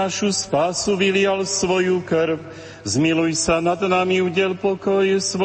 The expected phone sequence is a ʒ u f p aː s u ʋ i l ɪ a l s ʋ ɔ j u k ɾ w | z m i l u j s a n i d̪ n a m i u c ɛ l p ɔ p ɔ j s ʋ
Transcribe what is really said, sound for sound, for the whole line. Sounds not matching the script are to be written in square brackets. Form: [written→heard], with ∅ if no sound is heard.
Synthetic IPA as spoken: a [ʒ→ʃ] u [f→s] p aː s u ʋ i l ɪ a l s ʋ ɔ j u k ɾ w | z m i l u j s a n [i→a] d̪ n a m i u [c→ɟ] ɛ l p ɔ [p→k] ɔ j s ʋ